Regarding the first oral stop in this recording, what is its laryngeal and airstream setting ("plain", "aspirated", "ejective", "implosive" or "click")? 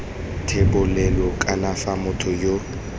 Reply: aspirated